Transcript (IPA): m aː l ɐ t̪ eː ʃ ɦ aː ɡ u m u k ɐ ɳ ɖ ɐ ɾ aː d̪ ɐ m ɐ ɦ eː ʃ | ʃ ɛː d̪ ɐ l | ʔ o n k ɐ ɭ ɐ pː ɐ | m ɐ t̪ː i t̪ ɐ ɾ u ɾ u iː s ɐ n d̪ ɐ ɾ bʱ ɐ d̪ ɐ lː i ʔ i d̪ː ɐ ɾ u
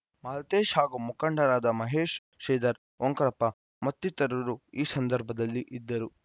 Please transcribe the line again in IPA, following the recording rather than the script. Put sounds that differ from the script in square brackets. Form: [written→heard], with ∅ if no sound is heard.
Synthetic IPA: m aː l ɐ t̪ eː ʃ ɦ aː ɡ u m u k ɐ ɳ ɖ ɐ ɾ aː d̪ ɐ m ɐ ɦ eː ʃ | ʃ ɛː d̪ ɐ [l→ɾ] | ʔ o [n→ŋ] k ɐ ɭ ɐ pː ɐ | m ɐ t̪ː i t̪ ɐ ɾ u ɾ u iː s ɐ n d̪ ɐ ɾ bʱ ɐ d̪ ɐ lː i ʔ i d̪ː ɐ ɾ u